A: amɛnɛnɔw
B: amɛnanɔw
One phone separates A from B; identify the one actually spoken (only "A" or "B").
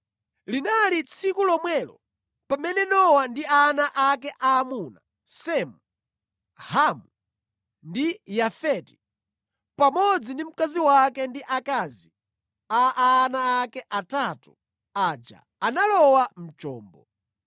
A